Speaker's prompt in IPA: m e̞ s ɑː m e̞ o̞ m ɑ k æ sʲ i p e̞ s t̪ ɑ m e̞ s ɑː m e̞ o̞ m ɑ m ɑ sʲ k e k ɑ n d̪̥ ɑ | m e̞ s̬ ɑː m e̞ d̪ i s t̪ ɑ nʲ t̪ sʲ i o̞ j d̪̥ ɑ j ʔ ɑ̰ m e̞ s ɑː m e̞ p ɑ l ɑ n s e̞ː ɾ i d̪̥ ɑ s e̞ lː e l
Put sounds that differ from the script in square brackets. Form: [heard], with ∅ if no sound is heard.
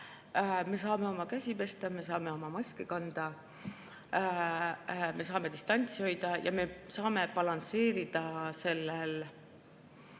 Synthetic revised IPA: m e̞ s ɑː m e̞ o̞ m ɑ k æ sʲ i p e̞ s t̪ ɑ m e̞ s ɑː m e̞ o̞ m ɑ m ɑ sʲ k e k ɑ n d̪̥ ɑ | m e̞ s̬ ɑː m e̞ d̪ i s t̪ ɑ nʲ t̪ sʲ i o̞ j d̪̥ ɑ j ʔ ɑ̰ m e̞ s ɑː m e̞ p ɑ l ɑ n s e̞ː ɾ i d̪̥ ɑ s e̞ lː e l